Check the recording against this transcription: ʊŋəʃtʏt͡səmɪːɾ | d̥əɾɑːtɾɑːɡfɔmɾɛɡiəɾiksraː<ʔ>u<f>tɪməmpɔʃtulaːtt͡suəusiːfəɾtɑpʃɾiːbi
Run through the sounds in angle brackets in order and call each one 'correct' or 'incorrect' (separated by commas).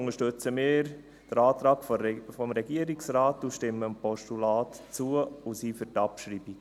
incorrect, incorrect